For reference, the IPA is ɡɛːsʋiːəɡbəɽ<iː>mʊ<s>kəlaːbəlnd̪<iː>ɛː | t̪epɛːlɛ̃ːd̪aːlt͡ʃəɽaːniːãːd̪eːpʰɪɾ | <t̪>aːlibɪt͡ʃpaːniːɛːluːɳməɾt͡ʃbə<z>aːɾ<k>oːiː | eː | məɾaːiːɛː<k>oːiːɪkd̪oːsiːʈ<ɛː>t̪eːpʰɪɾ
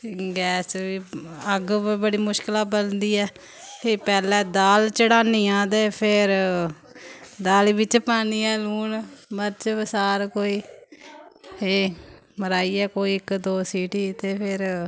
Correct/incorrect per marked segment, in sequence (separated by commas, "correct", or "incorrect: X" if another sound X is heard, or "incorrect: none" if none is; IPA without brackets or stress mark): correct, incorrect: ʃ, correct, incorrect: d̪, incorrect: s, correct, correct, incorrect: iː